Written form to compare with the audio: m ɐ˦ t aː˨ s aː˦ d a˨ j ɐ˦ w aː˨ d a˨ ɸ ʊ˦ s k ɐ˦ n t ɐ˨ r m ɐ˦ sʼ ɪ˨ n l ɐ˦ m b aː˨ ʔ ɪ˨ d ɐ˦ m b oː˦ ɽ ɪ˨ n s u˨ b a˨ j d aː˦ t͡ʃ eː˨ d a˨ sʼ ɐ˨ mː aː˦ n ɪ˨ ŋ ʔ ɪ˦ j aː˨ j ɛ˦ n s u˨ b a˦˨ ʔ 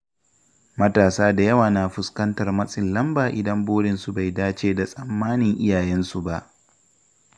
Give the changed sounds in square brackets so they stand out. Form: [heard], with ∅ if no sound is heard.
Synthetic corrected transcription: m ɐ˦ t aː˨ s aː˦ d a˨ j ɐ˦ w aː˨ [n] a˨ ɸ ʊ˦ s k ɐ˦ n t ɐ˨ r m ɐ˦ sʼ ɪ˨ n l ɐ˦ m b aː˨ ʔ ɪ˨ d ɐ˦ m b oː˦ ɽ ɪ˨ n s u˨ b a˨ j d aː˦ t͡ʃ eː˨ d a˨ sʼ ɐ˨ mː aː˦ n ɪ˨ ŋ ʔ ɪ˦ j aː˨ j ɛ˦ n s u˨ b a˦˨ ʔ

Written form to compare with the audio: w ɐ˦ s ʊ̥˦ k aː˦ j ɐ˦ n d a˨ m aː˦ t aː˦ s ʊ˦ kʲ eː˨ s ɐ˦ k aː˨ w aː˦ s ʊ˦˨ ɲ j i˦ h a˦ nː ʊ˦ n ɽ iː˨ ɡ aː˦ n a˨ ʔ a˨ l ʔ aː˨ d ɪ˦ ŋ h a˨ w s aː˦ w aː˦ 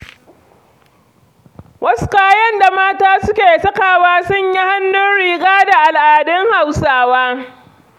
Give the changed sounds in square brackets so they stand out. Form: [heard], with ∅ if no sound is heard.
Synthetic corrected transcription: w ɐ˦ s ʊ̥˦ k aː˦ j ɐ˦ n d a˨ m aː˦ t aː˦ s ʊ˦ kʲ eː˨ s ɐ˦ k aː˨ w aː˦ s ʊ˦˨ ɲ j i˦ h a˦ nː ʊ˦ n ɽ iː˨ ɡ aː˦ [d] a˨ ʔ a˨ l ʔ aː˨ d ɪ˦ ŋ h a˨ w s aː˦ w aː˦

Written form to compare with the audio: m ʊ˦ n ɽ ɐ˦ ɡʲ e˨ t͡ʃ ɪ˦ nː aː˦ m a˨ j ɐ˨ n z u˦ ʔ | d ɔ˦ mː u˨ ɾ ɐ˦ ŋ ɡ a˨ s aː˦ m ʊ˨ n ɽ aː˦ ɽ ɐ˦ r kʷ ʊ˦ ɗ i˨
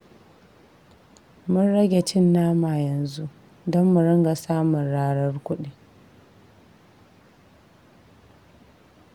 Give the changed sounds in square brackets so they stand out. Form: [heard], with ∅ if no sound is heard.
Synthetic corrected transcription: m ʊ˦ n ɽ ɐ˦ ɡʲ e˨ t͡ʃ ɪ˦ nː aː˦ m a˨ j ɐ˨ n z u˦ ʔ | d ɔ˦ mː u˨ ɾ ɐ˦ ŋ ɡ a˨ s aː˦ m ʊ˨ n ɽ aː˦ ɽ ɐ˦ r kʷ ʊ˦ ɗ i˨

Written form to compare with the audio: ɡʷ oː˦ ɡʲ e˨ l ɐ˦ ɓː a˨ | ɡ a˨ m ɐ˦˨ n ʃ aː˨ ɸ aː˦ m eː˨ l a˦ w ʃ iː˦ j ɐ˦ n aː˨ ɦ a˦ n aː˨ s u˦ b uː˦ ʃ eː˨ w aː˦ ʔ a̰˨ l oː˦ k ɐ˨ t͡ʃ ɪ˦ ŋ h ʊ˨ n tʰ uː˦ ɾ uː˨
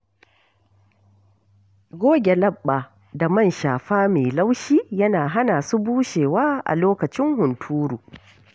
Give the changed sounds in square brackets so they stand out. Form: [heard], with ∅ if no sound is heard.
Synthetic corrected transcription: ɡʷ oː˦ ɡʲ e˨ l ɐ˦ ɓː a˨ | [d] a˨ m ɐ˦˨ n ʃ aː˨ ɸ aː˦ m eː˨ l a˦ w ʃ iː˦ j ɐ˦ n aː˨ ɦ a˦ n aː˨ s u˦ b uː˦ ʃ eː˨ w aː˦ ʔ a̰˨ l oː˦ k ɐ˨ t͡ʃ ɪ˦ ŋ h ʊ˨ n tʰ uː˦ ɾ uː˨

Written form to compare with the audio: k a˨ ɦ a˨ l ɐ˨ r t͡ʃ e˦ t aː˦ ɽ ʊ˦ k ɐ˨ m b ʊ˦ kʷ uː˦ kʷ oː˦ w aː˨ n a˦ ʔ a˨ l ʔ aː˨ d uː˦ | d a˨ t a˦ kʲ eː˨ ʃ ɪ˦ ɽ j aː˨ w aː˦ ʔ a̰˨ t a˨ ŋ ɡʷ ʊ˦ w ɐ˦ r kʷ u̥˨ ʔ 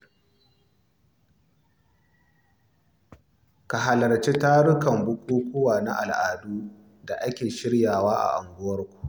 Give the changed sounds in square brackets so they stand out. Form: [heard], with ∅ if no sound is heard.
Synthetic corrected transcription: k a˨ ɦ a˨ l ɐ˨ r t͡ʃ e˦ t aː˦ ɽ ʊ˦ k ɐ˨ m b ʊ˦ kʷ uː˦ kʷ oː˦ w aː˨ n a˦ ʔ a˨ l ʔ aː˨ d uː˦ | d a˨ [ʔ] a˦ kʲ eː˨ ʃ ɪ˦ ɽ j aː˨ w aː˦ ʔ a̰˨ [ʔ] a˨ ŋ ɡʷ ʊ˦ w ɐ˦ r kʷ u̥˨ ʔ

